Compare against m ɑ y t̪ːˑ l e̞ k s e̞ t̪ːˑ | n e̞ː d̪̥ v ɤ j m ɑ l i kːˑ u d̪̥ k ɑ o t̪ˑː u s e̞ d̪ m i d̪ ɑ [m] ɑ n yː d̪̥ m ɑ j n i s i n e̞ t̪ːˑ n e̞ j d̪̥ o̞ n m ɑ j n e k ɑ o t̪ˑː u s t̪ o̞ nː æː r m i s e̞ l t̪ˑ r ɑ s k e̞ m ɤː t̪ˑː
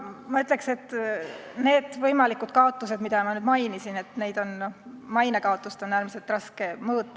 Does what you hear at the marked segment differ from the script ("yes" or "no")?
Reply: no